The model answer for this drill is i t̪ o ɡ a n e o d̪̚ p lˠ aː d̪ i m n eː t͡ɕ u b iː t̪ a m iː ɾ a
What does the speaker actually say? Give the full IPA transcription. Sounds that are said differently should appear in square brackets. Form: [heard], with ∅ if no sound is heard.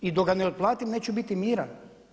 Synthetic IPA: i [d̪] o ɡ a n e o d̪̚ p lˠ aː [t̪] i m n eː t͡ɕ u b [i] t̪ [i] m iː ɾ a